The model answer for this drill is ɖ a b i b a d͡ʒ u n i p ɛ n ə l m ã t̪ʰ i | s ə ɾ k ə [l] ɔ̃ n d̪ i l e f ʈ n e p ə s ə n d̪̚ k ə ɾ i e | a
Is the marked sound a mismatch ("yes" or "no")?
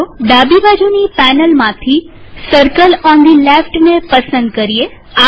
no